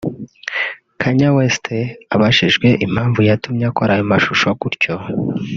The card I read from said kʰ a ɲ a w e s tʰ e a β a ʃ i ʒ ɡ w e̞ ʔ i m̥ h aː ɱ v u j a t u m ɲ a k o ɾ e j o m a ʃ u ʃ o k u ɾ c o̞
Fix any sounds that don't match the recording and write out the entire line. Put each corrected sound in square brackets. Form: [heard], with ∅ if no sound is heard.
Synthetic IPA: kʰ a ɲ a w e s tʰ e a β a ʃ i ʒ ɡ w e̞ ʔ i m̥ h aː ɱ v u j a t u m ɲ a k o ɾ [a] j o m a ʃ u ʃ o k u ɾ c o̞